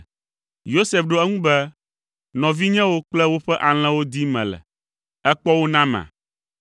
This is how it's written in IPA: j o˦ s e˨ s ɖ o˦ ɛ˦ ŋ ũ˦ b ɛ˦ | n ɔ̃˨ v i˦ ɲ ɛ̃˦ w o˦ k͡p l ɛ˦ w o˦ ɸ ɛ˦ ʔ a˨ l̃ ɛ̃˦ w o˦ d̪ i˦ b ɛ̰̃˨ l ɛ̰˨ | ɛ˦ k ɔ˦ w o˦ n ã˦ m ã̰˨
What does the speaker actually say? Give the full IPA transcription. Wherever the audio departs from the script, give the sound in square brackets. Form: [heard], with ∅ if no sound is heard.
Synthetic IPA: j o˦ s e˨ [f] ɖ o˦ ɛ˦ ŋ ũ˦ b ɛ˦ | n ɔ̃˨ v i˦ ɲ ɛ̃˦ w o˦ k͡p l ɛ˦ w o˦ ɸ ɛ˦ ʔ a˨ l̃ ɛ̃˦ w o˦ d̪ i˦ [m] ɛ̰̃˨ l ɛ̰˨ | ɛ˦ [k͡p] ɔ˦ w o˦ n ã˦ m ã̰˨